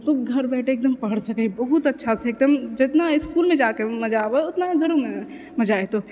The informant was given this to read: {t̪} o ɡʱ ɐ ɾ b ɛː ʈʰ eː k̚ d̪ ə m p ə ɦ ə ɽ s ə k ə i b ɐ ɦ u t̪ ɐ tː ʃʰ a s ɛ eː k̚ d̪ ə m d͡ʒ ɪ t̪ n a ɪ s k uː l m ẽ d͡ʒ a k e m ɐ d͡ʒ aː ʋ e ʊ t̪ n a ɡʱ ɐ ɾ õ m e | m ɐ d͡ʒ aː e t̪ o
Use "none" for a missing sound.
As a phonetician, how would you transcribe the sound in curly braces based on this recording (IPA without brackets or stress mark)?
t̪